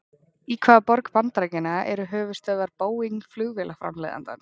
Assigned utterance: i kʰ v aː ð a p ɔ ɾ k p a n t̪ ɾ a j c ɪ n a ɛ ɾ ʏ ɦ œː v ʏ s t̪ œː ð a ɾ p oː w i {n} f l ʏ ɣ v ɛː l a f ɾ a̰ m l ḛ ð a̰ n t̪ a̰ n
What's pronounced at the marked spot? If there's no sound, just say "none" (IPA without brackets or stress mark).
ŋ